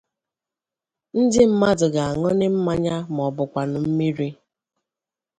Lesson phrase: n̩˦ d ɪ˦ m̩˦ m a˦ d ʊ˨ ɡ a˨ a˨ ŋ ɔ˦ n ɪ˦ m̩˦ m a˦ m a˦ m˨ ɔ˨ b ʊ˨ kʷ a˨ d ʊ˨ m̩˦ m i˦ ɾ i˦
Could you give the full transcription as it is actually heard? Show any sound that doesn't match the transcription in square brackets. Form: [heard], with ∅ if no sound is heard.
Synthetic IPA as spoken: n̩˦ d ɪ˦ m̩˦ m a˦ d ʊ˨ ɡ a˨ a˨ ŋ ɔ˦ n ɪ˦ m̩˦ m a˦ [ɲ] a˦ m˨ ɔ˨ b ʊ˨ kʷ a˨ [n] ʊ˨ m̩˦ m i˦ ɾ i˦